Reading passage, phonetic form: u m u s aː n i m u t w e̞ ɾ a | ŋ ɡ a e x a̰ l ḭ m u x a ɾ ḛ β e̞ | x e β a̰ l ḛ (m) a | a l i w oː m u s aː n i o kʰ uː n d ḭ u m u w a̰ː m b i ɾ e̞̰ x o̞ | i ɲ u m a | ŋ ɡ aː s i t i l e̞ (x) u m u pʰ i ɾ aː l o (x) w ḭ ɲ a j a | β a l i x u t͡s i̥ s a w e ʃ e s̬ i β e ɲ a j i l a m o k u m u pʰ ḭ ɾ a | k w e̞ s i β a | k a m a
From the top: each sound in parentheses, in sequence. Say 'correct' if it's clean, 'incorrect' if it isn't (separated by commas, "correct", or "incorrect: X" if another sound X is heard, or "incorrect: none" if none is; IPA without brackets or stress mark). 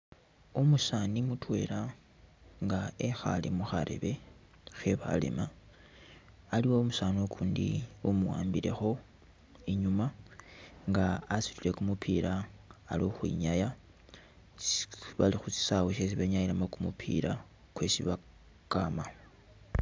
correct, incorrect: k, correct